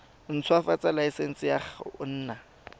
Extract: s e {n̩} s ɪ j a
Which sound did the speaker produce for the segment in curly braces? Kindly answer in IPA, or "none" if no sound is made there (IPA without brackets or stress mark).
n̩